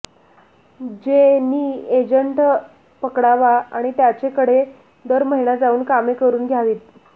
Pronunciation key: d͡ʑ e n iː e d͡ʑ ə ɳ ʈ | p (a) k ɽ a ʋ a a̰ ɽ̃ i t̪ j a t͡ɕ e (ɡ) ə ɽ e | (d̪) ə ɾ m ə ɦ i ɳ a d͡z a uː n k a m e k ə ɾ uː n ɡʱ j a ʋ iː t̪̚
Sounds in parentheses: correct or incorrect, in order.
incorrect: ə, incorrect: k, correct

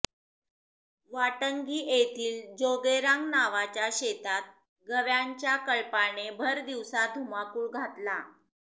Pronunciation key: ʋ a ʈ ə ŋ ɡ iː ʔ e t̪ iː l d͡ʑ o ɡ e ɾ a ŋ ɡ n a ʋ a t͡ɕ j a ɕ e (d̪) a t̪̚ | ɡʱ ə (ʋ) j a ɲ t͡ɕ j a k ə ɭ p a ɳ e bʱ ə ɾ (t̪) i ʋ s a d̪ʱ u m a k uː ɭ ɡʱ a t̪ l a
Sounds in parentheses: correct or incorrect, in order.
incorrect: t̪, correct, incorrect: d̪

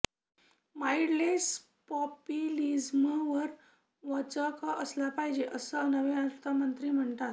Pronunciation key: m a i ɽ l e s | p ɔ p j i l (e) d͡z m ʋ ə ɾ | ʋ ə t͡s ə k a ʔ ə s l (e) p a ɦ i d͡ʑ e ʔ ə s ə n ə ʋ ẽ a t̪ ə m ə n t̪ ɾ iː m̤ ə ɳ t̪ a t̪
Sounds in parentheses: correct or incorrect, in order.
incorrect: i, incorrect: a

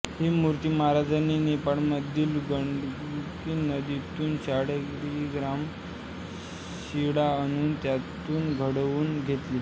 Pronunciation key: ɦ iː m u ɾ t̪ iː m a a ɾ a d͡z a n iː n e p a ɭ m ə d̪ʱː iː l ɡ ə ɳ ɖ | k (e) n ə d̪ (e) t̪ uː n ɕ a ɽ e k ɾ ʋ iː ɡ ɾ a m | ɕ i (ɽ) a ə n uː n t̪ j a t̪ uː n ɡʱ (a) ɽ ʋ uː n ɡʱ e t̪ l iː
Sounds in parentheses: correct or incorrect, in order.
incorrect: i, incorrect: i, correct, incorrect: ə

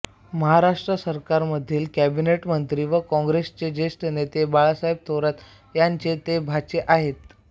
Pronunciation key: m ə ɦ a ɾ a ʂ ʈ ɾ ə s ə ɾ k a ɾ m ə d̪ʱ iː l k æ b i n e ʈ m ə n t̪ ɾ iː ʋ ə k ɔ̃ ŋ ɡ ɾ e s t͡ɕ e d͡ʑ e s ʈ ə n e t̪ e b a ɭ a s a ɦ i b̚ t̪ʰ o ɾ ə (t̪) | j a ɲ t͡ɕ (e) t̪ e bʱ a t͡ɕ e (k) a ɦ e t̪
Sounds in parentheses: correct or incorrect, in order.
correct, correct, incorrect: ʔ

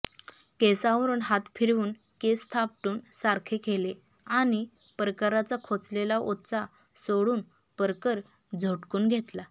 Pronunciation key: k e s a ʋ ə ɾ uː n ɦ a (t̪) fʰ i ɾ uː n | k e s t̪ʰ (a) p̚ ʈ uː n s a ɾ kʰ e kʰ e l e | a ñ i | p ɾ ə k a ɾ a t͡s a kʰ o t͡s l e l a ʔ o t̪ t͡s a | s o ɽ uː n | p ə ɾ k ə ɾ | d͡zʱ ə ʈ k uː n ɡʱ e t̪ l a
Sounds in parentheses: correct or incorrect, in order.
correct, correct

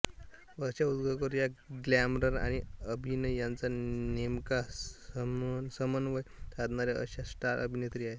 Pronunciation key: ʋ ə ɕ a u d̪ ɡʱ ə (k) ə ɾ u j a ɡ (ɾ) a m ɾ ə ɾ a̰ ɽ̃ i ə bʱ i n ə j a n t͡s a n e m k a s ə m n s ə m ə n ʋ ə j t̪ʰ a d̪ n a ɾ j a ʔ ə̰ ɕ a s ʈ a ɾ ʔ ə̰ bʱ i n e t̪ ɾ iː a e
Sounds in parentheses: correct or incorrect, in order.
correct, incorrect: l

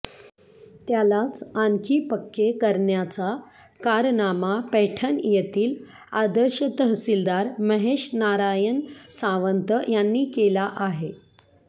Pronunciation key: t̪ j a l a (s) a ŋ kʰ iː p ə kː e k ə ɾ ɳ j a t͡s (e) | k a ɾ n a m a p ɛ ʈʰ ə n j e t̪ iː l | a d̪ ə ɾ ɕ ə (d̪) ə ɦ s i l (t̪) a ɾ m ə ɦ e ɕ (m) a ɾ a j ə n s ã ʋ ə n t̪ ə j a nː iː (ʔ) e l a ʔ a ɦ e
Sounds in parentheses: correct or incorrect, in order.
incorrect: t͡s, incorrect: a, incorrect: t̪, incorrect: d̪, incorrect: n, incorrect: k

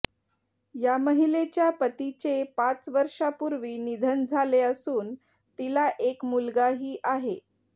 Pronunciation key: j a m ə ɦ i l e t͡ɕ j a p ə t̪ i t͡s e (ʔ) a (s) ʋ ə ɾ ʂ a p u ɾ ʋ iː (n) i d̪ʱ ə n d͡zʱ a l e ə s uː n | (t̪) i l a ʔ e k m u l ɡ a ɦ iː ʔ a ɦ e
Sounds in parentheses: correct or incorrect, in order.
incorrect: p, incorrect: t͡s, correct, correct

